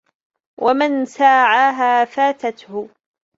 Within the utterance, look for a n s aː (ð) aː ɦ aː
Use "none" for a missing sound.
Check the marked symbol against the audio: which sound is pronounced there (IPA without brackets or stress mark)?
ʕ